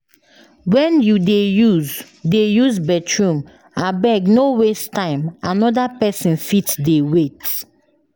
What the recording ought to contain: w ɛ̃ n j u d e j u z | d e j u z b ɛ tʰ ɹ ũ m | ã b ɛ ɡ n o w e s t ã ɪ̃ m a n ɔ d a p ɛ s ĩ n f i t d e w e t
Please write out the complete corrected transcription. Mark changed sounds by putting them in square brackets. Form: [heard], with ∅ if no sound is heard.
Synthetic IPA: w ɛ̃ n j u d e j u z | d e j u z b ɛ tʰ ɹ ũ m | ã b ɛ ɡ n o w e s t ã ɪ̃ m a n ɔ d a p ɛ s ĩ n f i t d e w e t